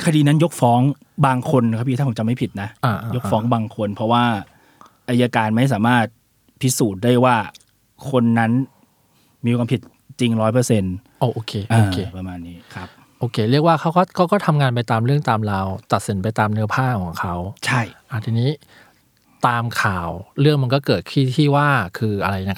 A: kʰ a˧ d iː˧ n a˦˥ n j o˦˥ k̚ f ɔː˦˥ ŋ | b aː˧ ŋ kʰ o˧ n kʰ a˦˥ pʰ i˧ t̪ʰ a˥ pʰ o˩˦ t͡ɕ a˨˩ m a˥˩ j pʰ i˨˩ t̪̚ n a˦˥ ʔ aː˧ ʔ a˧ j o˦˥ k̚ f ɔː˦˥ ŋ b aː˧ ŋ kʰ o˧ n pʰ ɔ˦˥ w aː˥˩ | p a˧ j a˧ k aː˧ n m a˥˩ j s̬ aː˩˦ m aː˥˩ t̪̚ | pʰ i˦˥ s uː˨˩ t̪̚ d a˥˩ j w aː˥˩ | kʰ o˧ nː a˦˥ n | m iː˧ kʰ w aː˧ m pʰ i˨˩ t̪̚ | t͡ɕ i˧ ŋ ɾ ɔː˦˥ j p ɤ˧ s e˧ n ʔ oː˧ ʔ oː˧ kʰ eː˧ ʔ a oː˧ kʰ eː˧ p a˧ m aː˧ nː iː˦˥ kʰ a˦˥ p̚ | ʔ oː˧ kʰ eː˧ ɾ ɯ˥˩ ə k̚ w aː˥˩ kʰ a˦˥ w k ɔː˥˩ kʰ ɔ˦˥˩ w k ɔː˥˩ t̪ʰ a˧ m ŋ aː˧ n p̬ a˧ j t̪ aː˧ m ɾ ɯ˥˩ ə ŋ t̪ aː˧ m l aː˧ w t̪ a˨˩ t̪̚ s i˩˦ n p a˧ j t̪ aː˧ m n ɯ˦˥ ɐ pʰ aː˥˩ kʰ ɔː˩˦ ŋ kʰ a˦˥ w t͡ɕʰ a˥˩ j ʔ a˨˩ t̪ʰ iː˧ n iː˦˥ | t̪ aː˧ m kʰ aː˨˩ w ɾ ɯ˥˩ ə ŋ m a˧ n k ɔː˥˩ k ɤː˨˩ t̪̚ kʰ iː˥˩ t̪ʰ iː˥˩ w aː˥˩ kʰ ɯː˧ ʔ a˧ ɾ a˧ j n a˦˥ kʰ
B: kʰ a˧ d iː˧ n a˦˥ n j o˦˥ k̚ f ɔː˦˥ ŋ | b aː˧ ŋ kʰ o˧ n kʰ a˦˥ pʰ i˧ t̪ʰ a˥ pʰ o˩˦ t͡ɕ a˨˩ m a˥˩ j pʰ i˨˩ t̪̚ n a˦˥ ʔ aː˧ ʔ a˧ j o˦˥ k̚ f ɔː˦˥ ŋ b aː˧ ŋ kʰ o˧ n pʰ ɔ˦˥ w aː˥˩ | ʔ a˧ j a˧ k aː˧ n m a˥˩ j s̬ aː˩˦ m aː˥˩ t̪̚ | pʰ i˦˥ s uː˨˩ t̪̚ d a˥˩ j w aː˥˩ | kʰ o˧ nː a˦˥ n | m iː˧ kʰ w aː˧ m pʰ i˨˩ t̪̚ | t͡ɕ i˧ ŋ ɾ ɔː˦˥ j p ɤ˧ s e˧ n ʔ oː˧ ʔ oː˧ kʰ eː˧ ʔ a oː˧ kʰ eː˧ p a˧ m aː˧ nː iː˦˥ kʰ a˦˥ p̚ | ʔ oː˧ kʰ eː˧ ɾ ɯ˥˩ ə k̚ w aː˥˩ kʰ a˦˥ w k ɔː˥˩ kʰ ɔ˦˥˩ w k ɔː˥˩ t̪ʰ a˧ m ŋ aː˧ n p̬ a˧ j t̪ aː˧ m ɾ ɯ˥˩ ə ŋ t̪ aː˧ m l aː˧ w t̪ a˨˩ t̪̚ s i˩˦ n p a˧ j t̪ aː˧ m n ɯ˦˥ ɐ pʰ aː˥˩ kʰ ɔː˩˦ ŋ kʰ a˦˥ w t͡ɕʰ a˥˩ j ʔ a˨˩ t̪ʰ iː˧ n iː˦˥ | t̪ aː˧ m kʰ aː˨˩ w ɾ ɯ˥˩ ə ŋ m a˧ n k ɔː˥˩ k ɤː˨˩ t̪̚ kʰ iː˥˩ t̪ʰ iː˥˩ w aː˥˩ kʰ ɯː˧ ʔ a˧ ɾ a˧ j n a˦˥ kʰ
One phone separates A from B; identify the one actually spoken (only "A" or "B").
B